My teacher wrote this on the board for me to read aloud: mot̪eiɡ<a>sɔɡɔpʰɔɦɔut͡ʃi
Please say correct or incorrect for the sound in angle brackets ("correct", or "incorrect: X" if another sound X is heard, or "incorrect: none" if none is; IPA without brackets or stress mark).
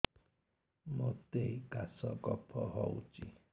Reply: correct